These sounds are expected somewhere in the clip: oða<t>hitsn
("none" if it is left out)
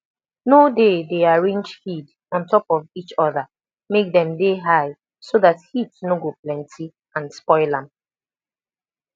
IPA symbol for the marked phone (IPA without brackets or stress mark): t